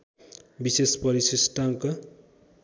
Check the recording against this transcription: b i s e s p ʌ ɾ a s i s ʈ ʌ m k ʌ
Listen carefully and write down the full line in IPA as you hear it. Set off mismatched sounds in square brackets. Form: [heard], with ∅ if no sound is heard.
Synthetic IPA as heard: b i s e s p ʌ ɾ [i] s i s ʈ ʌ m k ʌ